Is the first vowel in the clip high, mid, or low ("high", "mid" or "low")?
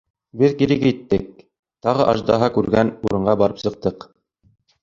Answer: mid